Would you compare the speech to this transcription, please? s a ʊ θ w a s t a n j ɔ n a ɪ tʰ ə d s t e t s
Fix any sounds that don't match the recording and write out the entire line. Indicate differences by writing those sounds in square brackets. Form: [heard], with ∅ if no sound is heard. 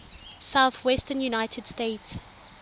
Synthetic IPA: s a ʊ θ w [ɛ] s t [ə] n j [u] n a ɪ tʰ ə d s t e t s